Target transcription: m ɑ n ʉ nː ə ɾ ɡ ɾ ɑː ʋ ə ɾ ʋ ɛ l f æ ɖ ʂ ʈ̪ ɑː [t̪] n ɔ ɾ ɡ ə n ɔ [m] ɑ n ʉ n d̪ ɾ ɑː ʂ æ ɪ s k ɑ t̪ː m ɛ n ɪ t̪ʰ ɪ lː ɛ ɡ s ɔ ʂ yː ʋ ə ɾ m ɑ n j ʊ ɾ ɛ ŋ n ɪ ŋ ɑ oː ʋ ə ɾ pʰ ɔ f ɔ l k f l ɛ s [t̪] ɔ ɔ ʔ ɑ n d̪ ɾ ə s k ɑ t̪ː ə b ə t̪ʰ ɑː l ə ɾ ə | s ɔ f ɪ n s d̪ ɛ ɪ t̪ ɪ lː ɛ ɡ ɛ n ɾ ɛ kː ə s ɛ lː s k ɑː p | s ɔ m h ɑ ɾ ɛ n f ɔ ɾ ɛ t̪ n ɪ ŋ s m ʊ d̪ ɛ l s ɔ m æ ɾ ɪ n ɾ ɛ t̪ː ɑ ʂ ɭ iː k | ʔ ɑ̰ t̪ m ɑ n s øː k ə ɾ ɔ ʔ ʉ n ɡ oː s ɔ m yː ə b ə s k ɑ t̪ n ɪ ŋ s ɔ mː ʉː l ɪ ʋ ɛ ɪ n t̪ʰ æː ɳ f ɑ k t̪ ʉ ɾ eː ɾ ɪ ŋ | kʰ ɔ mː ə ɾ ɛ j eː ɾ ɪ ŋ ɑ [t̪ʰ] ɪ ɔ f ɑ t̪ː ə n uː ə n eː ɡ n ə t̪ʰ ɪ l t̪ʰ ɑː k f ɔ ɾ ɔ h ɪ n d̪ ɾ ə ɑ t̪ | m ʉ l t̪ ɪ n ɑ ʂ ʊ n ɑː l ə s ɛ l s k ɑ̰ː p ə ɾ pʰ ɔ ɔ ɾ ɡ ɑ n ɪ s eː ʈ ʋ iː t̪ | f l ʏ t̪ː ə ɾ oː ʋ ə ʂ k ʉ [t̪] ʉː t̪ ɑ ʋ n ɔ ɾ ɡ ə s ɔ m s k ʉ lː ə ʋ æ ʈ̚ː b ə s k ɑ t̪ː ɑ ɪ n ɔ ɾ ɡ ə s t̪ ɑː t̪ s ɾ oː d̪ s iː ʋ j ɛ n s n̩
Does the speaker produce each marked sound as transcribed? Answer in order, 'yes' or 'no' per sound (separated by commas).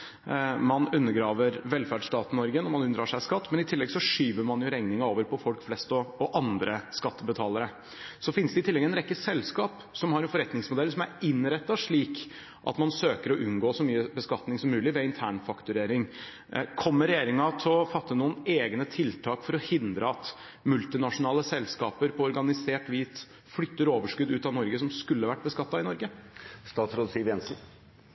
yes, yes, yes, yes, no